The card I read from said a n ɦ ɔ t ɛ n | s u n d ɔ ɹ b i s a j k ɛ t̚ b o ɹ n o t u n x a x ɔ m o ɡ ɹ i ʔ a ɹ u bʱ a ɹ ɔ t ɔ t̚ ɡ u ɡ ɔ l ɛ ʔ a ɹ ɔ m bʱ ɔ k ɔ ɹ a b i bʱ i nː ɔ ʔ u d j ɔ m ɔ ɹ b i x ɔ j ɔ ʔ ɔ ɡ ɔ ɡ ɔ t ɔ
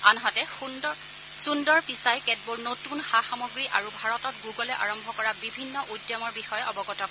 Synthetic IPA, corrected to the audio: a n ɦ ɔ t ɛ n | s u n d ɔ ɹ p i s a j k ɛ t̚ b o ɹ n o t u n x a x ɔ m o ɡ ɹ i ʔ a ɹ u bʱ a ɹ ɔ t ɔ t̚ ɡ u ɡ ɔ l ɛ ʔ a ɹ ɔ m bʱ ɔ k ɔ ɹ a b i bʱ i nː ɔ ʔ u d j ɔ m ɔ ɹ b i x ɔ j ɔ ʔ ɔ b ɔ ɡ ɔ t ɔ

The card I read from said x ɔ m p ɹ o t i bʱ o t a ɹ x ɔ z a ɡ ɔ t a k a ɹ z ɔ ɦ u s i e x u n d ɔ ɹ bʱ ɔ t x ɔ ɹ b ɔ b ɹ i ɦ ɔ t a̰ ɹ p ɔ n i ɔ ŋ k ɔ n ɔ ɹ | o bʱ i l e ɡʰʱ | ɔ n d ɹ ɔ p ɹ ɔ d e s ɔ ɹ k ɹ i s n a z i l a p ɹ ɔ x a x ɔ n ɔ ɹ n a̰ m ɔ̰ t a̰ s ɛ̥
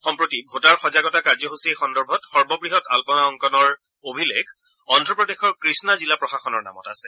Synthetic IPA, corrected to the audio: x ɔ m p ɹ o t i bʱ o t a ɹ x ɔ z a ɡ ɔ t a k a ɹ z ɔ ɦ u s i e x ɔ n d ɔ ɹ bʱ ɔ t x ɔ ɹ b ɔ b ɹ i ɦ ɔ t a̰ l p ɔ n a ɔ ŋ k ɔ n ɔ ɹ | o bʱ i l e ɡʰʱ | ɔ n d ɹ ɔ p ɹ ɔ d e x ɔ ɹ k ɹ i s n a z i l a p ɹ ɔ x a x ɔ n ɔ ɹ n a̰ m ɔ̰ t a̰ s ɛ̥

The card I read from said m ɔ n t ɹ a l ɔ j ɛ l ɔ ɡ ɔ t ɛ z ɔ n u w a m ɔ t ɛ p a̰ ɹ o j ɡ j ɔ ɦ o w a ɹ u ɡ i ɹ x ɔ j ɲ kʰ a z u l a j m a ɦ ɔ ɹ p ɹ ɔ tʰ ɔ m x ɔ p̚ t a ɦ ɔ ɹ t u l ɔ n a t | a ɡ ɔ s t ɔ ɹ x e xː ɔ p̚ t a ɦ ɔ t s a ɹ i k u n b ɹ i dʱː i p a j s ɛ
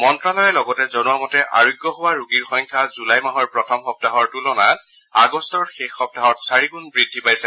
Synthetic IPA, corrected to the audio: m ɔ n t ɹ a l ɔ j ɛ l ɔ ɡ ɔ t ɛ z ɔ n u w a m ɔ t ɛ ʔ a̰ ɹ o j ɡ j ɔ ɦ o w a ɹ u ɡ i ɹ x ɔ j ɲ kʰ a z u l a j m a ɦ ɔ ɹ p ɹ ɔ tʰ ɔ m x ɔ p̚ t a ɦ ɔ ɹ t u l ɔ n a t | a ɡ ɔ s t ɔ ɹ x e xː ɔ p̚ t a ɦ ɔ t s a ɹ i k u n b ɹ i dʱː i p a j s ɛ

